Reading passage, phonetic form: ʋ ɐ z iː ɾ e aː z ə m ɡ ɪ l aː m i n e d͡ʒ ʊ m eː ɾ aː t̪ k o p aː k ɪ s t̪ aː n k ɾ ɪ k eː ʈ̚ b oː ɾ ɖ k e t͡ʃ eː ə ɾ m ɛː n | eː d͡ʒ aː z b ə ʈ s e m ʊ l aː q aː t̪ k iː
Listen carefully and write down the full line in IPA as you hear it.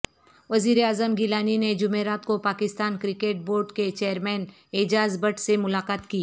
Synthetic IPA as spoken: ʋ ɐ z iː ɾ e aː z ə m ɡ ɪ l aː n i n e d͡ʒ ʊ m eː ɾ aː t̪ k o p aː k ɪ s t̪ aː n k ɾ ɪ k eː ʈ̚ b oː ɾ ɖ k e t͡ʃ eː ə ɾ m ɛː n | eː d͡ʒ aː z b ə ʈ s e m ʊ l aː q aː t̪ k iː